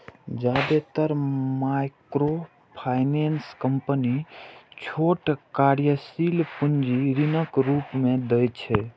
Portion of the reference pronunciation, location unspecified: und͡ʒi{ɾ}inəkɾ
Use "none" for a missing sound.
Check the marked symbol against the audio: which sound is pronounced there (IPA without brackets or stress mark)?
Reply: ɾ